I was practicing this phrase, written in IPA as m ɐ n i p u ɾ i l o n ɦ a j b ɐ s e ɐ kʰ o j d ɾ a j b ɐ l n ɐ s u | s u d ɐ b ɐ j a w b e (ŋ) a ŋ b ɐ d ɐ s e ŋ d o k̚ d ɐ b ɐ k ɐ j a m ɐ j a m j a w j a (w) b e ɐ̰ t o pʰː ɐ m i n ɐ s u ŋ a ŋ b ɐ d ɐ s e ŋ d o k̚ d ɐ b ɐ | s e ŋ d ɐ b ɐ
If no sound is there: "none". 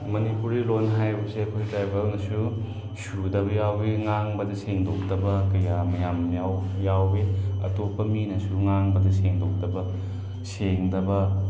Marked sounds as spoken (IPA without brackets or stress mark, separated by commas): ŋ, w